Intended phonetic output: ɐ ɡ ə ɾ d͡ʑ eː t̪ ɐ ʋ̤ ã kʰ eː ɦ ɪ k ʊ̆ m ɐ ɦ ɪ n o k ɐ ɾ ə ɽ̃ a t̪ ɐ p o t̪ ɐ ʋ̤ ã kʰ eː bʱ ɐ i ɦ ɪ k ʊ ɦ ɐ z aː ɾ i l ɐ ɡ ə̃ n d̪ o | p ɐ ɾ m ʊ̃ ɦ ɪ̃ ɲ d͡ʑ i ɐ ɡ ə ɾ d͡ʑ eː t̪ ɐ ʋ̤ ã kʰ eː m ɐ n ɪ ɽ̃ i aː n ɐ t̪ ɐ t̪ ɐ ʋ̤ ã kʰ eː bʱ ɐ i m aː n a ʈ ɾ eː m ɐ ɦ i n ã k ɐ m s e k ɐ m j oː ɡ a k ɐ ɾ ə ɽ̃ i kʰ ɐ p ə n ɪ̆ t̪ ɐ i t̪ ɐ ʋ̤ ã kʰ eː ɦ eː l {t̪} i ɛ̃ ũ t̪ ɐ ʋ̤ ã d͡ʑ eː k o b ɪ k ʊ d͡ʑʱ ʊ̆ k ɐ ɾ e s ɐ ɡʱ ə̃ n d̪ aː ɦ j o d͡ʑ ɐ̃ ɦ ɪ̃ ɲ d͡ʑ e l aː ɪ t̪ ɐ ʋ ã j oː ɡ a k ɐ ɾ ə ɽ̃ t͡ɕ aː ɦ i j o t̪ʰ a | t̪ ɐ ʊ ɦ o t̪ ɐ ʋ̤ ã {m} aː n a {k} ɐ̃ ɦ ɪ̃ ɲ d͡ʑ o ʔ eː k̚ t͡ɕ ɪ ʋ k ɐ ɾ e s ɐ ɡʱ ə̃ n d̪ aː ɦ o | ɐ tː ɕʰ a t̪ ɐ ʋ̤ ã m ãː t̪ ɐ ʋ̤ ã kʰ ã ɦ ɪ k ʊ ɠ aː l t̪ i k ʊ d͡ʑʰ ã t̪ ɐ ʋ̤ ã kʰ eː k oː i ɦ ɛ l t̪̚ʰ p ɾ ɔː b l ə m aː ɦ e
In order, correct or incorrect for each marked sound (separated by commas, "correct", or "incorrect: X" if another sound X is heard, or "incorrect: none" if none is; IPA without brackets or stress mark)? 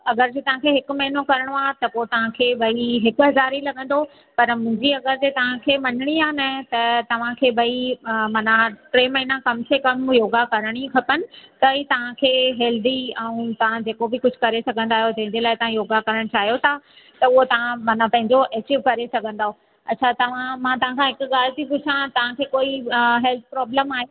incorrect: d̪, correct, incorrect: p